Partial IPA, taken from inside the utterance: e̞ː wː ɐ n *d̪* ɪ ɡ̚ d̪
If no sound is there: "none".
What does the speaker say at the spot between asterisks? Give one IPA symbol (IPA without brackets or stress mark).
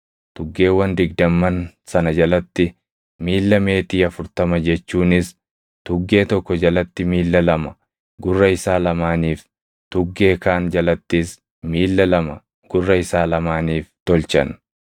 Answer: d̪